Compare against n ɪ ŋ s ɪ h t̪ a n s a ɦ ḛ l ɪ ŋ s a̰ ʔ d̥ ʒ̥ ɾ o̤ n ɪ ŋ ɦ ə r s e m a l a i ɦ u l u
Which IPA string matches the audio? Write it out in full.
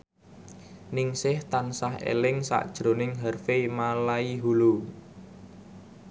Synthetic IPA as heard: n ɪ ŋ s ɪ h t̪ a n s a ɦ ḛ l ɪ ŋ s a̰ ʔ d̥ ʒ̥ ɾ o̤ n ɪ ŋ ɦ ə r f e m a l a i ɦ u l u